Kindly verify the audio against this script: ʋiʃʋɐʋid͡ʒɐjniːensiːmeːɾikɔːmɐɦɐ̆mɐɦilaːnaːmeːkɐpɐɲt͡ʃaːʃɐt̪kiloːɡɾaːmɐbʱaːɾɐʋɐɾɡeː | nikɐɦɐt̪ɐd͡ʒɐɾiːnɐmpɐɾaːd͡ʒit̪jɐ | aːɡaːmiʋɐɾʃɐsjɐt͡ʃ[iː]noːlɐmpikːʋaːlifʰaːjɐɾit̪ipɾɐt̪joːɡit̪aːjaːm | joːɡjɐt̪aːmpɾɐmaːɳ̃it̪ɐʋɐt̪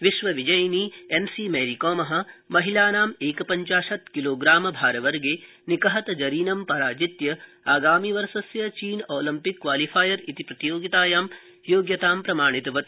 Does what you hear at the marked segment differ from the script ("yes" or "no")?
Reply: no